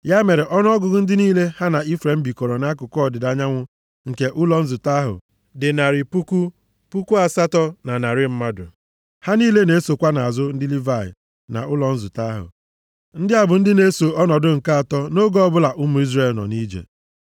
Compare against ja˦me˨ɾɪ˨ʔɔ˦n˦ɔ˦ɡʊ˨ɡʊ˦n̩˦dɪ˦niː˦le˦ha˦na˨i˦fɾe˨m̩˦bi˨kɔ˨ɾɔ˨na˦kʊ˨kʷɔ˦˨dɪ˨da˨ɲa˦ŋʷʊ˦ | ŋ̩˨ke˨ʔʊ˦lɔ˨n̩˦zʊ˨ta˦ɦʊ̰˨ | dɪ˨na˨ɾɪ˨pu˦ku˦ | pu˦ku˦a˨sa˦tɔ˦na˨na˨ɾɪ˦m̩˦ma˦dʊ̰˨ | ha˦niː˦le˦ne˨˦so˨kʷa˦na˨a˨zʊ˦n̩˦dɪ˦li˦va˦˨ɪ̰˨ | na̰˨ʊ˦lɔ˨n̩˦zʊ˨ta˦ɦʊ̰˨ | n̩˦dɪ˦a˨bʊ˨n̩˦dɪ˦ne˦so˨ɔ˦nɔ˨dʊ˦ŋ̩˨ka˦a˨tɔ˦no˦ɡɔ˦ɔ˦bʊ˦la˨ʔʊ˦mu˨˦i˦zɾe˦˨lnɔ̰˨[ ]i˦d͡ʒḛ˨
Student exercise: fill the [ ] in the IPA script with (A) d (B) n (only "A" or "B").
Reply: B